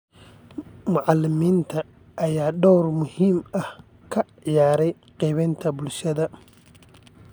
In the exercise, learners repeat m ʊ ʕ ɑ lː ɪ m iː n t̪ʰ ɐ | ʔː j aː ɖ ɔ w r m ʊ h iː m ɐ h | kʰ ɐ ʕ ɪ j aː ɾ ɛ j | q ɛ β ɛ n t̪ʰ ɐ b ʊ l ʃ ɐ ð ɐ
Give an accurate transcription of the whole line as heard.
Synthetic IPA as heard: m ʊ ʕ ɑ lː ɪ m iː n t̪ʰ ɐ | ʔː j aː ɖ ɔ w r m ʊ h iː m ɐ h | kʰ ɐ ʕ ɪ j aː ɾ ɛ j | q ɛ β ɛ n t̪ʰ ɐ b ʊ l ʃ ɐ ð ɐ